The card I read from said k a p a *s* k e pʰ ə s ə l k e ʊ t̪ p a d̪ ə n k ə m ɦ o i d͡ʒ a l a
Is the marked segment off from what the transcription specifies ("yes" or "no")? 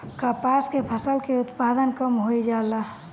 no